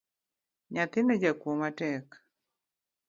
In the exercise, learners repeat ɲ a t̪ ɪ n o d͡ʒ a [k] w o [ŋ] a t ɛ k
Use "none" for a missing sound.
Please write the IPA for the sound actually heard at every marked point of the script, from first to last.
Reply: k, m

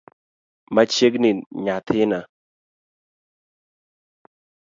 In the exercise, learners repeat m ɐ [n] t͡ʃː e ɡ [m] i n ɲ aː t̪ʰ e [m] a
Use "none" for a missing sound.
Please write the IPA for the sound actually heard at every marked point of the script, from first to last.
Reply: none, n, n

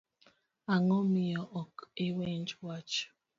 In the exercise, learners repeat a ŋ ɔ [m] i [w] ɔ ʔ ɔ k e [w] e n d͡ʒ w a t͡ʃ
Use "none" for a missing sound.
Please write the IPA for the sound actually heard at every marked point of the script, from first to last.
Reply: m, none, w

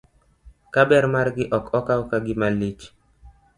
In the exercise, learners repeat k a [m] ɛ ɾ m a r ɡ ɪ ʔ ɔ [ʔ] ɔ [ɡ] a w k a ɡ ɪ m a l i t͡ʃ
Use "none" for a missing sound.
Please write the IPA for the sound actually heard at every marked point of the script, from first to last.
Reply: b, k, k

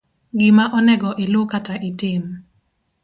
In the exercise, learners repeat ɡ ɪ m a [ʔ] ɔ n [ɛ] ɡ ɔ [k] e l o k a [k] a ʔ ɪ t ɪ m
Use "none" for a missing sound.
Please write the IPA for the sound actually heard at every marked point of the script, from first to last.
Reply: ʔ, ɛ, ʔ, t

